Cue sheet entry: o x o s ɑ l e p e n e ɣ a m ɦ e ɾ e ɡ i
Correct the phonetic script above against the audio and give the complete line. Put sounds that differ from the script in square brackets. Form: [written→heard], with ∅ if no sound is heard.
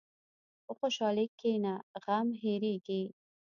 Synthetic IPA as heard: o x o [s→ʃ] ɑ l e [p→k] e n [e→a] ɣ a m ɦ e ɾ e ɡ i